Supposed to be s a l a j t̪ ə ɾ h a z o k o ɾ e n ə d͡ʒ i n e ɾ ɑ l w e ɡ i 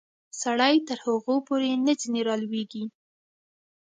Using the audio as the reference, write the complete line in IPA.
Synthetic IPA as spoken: s a ɽ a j t̪ ə ɾ h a ɣ o p o ɾ e n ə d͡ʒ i n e ɾ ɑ l w e ɡ i